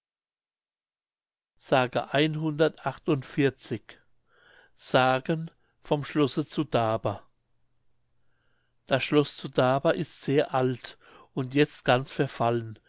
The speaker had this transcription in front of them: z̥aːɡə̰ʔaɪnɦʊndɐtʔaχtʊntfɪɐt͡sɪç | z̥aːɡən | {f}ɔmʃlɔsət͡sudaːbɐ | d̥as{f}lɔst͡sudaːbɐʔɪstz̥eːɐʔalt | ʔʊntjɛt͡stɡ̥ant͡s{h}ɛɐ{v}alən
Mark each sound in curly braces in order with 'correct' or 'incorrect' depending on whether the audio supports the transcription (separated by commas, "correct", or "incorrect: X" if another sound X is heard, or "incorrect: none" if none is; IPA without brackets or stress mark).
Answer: correct, incorrect: ʃ, incorrect: f, incorrect: f